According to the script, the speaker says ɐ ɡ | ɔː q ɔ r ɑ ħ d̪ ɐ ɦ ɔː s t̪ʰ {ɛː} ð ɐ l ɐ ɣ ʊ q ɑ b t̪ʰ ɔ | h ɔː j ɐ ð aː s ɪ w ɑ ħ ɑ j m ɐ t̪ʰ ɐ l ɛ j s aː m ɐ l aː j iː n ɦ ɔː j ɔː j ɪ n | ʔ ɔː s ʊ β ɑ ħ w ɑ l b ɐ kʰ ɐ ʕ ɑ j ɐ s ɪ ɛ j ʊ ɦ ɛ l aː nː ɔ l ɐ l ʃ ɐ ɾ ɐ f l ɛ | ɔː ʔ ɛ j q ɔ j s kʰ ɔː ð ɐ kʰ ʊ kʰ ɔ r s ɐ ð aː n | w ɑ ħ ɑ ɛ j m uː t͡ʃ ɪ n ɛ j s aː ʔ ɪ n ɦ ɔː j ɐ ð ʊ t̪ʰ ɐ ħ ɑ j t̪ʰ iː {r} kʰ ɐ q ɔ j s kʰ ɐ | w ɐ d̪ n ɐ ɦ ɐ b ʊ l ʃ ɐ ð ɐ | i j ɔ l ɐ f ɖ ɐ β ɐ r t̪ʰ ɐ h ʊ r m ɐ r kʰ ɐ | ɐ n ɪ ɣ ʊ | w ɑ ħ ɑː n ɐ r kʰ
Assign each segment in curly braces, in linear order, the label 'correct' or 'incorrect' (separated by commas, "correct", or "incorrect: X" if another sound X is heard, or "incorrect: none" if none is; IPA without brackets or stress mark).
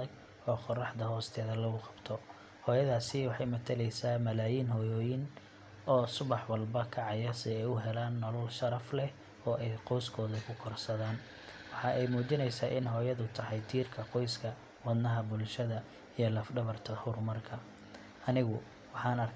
correct, correct